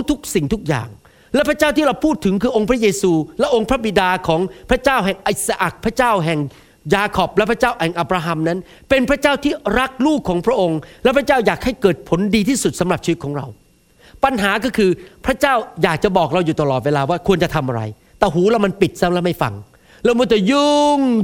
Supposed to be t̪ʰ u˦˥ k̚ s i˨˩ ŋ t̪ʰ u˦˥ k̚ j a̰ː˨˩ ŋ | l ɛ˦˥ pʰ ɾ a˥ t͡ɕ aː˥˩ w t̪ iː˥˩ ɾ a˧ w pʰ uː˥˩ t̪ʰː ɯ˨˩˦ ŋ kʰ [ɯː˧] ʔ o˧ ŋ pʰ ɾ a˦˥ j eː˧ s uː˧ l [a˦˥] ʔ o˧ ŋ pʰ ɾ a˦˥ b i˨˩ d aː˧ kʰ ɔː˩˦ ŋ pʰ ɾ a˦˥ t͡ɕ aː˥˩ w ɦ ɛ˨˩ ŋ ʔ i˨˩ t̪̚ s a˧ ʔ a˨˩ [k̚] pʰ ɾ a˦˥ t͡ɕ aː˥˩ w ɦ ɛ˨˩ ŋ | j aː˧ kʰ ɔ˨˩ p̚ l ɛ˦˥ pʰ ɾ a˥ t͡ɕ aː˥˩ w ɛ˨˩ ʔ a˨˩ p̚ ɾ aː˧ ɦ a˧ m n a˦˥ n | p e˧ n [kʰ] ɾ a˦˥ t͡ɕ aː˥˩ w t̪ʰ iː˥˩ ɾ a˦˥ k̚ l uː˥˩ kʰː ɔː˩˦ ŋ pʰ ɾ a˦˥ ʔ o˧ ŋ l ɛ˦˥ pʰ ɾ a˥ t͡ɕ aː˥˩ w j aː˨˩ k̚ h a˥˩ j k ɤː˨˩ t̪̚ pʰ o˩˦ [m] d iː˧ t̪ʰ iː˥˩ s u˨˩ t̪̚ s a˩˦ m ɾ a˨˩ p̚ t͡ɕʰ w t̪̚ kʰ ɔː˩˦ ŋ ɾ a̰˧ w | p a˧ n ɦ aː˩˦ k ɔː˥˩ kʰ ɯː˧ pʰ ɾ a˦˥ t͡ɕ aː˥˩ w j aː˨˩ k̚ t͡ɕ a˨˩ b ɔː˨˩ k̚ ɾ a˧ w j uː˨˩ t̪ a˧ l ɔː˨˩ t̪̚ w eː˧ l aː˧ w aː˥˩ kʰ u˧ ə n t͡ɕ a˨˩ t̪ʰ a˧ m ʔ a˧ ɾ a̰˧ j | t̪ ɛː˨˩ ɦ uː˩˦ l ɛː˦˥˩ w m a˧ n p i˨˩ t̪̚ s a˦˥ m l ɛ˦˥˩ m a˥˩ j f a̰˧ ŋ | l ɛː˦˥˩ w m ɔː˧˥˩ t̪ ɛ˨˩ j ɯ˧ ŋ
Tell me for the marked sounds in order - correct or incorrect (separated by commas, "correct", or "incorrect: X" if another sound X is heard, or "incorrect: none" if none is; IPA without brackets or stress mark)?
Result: correct, incorrect: ɛ˦˥, correct, incorrect: pʰ, incorrect: n